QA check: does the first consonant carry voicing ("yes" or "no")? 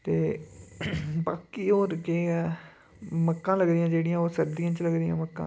no